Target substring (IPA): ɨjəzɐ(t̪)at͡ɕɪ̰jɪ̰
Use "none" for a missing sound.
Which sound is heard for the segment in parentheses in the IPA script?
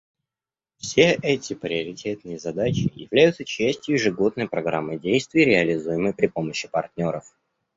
d̪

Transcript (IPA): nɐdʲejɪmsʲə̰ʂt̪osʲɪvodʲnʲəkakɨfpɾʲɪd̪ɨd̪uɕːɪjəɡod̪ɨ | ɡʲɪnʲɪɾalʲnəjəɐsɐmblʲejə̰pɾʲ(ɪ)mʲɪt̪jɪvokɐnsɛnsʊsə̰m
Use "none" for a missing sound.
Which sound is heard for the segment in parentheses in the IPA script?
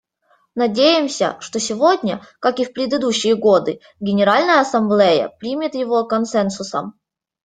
i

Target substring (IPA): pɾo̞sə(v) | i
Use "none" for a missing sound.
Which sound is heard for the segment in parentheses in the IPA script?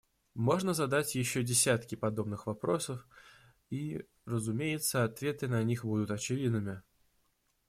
f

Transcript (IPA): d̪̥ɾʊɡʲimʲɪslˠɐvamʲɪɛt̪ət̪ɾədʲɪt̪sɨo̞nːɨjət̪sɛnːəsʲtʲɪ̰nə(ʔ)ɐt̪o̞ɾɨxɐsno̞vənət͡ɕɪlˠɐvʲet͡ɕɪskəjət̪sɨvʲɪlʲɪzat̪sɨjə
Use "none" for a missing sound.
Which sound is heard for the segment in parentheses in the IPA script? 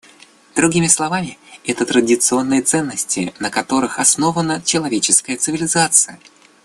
k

